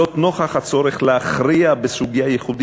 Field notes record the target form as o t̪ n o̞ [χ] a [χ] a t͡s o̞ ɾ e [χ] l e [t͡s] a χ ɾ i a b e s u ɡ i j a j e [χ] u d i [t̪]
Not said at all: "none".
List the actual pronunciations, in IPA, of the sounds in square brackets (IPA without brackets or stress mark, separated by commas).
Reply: χ, χ, χ, none, χ, none